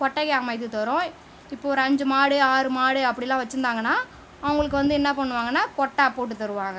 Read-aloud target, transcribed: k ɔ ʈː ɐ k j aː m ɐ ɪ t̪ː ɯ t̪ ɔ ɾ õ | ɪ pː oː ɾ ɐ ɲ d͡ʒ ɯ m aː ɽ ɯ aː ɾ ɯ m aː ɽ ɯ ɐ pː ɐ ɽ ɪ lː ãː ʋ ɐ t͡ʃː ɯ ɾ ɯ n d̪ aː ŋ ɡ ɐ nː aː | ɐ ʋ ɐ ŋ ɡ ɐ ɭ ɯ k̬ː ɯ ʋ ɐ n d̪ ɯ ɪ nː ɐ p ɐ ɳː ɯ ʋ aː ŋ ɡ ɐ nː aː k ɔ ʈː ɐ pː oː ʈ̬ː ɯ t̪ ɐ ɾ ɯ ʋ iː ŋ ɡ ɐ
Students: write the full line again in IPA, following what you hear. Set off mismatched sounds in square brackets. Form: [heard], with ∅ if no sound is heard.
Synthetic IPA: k ɔ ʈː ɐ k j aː m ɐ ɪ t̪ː ɯ t̪ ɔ ɾ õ | ɪ pː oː ɾ ɐ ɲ d͡ʒ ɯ m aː ɽ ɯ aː ɾ ɯ m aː ɽ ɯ ɐ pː ɐ ɽ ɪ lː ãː ʋ ɐ t͡ʃː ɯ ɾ ɯ n d̪ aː ŋ ɡ ɐ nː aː | ɐ ʋ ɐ ŋ ɡ ɐ ɭ ɯ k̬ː ɯ ʋ ɐ n d̪ ɯ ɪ nː ɐ p ɐ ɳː ɯ ʋ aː ŋ ɡ ɐ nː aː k ɔ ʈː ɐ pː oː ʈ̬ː ɯ t̪ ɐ ɾ ɯ ʋ [aː] ŋ ɡ ɐ